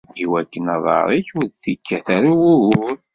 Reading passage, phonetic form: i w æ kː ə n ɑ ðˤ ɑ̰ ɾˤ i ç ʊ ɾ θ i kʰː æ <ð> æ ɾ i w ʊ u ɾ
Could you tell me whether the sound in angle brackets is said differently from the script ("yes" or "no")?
yes